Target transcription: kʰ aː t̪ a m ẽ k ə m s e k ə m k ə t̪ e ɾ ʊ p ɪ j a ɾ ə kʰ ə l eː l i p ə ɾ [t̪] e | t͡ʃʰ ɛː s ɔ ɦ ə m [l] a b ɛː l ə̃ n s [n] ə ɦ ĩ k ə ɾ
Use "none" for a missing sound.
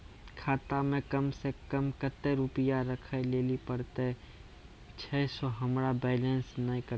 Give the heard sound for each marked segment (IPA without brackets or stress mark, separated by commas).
t̪, ɾ, n